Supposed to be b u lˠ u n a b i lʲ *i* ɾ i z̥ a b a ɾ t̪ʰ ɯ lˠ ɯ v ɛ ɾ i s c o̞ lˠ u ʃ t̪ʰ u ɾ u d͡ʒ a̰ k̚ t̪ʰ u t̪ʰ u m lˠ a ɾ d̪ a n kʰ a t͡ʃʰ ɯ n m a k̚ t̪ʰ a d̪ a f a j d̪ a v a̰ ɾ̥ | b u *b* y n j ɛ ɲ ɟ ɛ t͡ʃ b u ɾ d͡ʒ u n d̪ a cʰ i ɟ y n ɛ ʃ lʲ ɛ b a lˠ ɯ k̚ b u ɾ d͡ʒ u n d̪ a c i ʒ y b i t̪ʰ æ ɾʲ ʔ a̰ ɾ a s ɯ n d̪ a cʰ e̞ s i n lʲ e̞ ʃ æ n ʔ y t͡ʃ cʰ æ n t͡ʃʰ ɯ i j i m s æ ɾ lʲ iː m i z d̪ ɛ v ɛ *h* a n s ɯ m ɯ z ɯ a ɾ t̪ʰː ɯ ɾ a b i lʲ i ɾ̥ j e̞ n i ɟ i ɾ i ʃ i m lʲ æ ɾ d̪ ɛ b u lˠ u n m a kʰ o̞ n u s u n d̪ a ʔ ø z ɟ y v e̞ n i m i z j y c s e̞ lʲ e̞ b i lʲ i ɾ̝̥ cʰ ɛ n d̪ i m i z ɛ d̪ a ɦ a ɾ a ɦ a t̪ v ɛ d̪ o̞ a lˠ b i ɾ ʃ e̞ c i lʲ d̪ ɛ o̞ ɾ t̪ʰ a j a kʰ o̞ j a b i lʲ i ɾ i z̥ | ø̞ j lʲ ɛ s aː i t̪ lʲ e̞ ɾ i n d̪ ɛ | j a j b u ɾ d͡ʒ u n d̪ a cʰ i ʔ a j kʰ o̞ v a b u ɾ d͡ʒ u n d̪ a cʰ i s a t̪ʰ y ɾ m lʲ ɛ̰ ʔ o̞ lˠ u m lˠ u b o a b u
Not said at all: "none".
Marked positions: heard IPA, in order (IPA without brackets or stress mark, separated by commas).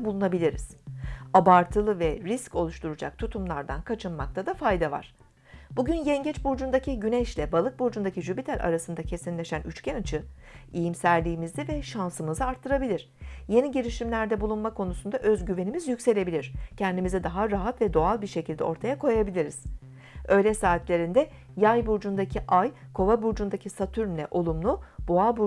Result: i, ɟ, ʃ